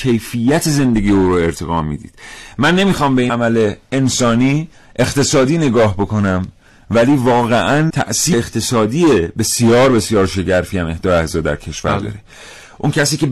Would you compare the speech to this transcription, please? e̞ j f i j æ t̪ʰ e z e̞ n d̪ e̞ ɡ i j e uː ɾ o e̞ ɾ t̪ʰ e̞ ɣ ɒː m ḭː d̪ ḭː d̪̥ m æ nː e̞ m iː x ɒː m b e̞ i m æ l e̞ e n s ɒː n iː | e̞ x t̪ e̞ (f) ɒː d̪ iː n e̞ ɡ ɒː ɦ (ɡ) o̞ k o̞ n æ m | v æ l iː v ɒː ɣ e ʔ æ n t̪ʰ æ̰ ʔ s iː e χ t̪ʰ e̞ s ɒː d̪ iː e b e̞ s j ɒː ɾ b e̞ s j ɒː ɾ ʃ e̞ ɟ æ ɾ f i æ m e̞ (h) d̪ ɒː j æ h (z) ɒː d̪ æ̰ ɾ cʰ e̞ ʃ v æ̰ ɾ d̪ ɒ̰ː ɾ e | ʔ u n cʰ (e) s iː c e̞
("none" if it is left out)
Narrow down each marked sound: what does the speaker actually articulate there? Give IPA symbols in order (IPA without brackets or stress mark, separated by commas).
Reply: s, b, h, z, æ